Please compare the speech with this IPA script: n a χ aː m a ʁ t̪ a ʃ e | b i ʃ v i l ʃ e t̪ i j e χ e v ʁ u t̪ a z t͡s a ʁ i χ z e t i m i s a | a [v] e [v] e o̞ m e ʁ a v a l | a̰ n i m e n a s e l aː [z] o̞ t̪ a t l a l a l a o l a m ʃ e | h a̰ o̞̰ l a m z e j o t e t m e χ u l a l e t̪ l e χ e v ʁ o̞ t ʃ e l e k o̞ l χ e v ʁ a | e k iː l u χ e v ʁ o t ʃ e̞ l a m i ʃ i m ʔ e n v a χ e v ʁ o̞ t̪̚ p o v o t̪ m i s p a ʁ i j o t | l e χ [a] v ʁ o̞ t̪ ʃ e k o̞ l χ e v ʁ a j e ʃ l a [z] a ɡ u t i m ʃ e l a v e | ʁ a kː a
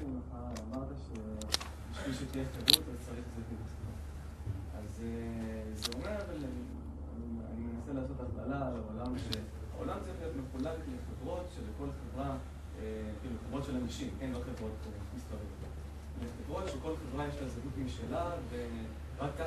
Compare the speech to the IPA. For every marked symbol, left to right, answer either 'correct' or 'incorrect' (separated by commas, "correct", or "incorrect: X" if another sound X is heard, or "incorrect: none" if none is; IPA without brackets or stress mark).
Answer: incorrect: z, incorrect: z, incorrect: s, incorrect: e, correct